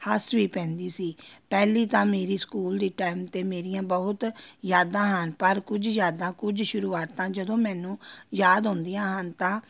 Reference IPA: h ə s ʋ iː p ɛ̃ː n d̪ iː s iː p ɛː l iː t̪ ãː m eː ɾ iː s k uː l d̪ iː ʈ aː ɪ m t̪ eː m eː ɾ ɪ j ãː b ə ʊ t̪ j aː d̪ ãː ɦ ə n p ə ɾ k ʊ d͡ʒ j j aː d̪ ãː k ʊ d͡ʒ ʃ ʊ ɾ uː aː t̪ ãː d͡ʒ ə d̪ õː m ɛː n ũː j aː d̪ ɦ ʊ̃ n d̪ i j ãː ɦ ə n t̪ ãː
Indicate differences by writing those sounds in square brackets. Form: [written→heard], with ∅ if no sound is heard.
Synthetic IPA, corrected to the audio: h ə s ʋ iː p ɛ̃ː n d̪ iː s iː p ɛː l iː t̪ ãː m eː ɾ iː s k uː l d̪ iː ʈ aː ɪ m t̪ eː m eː ɾ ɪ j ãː b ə ʊ t̪ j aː d̪ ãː ɦ ə n p ə ɾ k ʊ d͡ʒ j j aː d̪ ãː k ʊ d͡ʒ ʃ ʊ ɾ uː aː t̪ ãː d͡ʒ ə d̪ õː m ɛː n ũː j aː d̪ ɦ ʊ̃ n d̪ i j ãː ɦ ə n t̪ ãː